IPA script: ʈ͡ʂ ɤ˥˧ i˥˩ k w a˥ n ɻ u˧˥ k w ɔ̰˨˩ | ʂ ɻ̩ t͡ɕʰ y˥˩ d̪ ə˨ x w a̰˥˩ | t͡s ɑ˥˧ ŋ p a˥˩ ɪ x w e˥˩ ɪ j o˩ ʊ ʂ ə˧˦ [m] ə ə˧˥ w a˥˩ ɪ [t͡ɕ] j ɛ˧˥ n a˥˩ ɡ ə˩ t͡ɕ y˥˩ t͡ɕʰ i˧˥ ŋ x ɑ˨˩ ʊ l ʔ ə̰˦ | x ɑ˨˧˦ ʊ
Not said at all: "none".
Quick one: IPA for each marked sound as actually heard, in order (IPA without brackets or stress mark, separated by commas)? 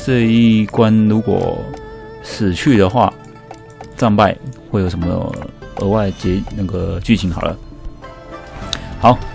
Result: m, t͡ɕ